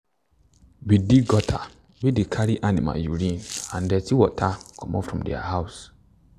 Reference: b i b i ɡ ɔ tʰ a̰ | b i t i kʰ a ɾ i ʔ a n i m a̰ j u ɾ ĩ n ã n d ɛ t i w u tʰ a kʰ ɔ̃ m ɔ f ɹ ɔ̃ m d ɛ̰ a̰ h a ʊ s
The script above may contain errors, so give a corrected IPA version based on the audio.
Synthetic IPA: b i d i ɡ ɔ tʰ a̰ | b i d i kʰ a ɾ i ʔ a n i m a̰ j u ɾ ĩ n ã n d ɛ t i w ɔ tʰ a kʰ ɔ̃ m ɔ f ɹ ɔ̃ m d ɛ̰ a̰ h a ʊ s